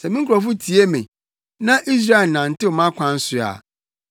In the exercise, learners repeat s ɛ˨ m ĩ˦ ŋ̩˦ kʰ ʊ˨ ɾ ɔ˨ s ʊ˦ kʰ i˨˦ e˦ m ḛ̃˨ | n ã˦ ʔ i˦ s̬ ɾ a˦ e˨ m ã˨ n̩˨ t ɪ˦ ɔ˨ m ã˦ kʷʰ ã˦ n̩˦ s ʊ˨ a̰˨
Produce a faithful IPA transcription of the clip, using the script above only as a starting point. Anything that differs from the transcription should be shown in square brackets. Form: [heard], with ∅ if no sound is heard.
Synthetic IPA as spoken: s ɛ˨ m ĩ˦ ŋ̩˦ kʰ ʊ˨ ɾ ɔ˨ [f] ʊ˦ [tʰ] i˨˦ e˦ m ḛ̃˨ | n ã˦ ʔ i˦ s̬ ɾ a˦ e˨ [n] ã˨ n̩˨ t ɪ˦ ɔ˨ m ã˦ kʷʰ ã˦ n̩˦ s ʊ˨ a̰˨